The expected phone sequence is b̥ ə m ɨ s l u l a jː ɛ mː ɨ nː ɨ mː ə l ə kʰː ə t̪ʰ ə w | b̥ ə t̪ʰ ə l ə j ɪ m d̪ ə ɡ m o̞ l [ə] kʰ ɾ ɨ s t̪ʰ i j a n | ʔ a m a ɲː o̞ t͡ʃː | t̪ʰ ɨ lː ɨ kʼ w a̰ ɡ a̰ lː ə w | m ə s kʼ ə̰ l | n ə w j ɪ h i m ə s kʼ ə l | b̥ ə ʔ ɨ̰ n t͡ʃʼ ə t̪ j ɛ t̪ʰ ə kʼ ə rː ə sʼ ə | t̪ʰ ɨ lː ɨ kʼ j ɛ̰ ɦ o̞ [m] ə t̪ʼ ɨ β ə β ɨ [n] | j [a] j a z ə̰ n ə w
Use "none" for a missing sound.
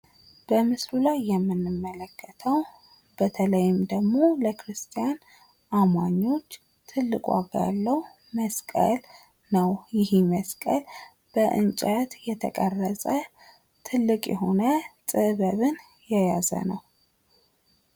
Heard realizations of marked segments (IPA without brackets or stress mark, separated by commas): ə, n, n, ɛ